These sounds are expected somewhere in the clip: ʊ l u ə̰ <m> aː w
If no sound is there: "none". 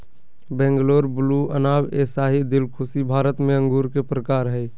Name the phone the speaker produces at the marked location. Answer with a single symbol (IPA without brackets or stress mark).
n